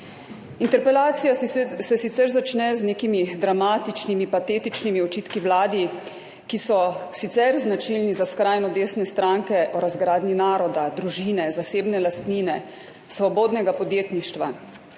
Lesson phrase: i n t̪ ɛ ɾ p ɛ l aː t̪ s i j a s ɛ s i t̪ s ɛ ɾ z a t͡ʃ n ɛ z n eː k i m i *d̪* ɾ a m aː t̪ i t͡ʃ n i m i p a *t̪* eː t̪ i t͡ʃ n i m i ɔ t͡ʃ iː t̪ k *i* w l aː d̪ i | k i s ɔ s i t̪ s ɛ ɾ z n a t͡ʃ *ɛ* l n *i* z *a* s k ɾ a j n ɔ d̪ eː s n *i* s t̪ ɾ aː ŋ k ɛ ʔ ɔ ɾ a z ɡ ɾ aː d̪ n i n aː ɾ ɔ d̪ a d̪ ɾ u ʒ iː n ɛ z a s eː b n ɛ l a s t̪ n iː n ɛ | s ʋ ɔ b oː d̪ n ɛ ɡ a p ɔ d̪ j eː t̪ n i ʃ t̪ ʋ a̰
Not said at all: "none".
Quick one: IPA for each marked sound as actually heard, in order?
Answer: d̪, t̪, i, i, i, a, ɛ

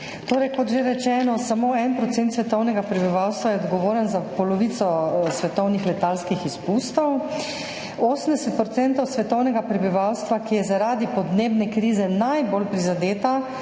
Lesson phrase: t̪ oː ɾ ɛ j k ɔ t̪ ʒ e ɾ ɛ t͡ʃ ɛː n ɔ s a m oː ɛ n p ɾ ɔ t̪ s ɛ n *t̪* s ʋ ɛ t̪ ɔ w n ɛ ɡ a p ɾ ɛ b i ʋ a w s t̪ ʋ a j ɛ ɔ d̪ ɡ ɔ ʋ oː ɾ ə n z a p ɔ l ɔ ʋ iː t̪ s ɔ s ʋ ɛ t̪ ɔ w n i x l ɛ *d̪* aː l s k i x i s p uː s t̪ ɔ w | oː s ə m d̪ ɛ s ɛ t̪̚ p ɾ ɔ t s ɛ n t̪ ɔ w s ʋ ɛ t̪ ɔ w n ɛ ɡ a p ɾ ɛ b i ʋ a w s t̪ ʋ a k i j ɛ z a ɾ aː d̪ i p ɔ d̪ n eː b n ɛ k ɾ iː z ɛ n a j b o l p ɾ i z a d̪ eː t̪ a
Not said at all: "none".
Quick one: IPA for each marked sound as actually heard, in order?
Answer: t̪, t̪

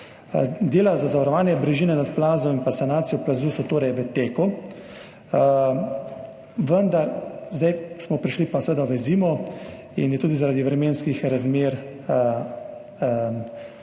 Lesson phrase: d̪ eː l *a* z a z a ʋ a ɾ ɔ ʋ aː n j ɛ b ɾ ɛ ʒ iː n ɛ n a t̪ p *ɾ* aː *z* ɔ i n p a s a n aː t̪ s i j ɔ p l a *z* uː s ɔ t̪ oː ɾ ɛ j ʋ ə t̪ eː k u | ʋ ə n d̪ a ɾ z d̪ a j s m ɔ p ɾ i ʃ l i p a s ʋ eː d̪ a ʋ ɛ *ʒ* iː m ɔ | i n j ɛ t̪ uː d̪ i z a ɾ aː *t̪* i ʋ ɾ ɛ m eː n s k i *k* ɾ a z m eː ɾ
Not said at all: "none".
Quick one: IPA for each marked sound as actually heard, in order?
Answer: a, l, z, z, z, d̪, x

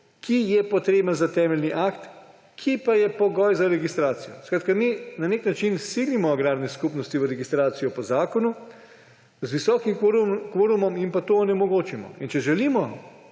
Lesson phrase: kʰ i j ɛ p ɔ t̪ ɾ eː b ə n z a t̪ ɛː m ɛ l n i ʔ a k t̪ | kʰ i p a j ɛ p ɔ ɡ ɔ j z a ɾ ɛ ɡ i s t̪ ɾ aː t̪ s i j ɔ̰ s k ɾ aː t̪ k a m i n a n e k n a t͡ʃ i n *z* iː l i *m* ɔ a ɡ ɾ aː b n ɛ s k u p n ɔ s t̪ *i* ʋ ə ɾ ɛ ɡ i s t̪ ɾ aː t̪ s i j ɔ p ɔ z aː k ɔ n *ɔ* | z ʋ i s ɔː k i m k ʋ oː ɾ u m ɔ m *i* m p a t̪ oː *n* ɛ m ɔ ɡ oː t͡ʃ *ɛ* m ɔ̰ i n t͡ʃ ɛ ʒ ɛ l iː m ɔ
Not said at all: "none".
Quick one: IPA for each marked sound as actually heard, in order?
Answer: s, m, i, u, i, n, i

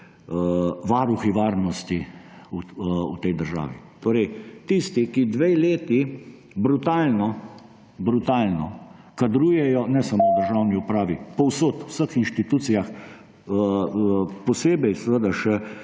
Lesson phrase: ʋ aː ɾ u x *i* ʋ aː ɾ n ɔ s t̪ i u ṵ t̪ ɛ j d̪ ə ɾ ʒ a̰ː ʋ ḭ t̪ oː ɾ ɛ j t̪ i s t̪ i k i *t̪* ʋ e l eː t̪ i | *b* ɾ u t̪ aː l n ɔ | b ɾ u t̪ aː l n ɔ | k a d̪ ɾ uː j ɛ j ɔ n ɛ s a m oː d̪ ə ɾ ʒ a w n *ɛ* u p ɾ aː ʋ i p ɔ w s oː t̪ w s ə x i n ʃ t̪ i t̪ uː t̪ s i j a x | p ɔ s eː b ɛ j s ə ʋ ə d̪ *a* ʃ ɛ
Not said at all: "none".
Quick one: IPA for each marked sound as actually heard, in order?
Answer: i, d̪, b, i, a

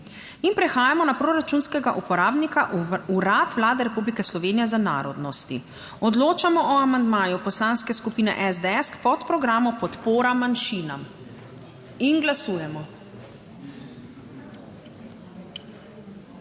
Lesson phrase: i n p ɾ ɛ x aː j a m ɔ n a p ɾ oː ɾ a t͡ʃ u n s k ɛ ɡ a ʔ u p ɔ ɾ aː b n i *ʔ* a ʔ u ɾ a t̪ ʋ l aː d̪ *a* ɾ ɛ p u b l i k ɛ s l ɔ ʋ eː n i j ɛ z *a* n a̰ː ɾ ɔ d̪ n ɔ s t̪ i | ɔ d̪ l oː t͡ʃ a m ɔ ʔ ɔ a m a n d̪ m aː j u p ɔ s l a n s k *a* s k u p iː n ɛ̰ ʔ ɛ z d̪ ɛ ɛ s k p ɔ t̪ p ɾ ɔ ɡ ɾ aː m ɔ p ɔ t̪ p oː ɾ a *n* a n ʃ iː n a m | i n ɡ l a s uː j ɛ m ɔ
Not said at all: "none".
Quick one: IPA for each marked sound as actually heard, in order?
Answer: k, ɛ, a, ɛ, m

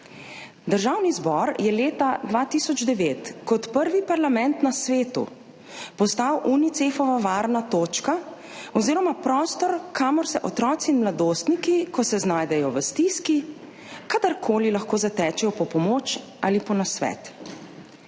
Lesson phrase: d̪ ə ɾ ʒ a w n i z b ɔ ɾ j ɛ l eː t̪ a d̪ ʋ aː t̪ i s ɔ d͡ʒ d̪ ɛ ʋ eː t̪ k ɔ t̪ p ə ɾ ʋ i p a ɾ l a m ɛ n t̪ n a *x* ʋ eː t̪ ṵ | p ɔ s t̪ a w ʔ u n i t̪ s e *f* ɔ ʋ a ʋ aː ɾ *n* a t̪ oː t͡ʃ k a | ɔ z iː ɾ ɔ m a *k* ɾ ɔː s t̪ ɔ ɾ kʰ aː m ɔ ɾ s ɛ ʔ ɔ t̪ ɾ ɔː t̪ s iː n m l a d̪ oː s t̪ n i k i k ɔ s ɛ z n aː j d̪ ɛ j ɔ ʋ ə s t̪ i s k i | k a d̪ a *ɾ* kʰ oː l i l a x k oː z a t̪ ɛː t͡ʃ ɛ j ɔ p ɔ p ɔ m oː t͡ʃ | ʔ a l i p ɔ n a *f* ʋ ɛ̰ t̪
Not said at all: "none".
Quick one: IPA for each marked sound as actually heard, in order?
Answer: s, f, n, p, ɾ, s

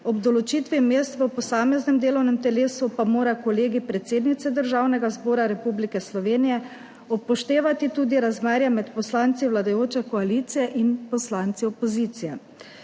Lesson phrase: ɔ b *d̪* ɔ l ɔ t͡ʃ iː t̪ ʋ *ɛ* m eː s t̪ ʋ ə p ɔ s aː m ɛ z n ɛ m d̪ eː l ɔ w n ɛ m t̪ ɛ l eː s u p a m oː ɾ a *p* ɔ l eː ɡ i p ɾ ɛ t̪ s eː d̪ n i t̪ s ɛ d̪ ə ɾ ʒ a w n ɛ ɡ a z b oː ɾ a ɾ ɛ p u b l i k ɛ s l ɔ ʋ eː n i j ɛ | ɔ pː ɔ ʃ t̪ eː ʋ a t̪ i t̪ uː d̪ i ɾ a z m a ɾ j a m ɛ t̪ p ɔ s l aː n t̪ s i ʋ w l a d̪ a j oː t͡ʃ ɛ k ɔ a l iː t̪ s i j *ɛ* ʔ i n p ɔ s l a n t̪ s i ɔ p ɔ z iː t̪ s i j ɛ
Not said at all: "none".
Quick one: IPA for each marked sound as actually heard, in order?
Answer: d̪, i, k, ɛ

